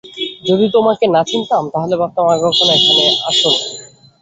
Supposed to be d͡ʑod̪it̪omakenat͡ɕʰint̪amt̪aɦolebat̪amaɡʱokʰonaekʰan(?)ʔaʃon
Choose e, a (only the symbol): e